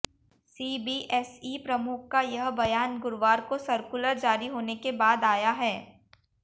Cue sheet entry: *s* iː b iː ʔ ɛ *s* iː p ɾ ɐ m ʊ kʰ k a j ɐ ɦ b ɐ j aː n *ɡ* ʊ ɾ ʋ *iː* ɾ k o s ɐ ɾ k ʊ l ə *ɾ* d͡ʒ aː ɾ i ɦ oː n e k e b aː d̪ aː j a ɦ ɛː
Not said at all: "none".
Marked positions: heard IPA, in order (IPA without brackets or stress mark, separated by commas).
s, s, ɡ, aː, ɾ